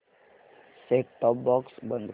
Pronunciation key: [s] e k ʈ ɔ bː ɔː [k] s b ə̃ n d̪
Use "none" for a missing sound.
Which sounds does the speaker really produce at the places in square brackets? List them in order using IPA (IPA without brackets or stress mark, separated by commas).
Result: s, k